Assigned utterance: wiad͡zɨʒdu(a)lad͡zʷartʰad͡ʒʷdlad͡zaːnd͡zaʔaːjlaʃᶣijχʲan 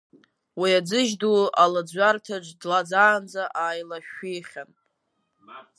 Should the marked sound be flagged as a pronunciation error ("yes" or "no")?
no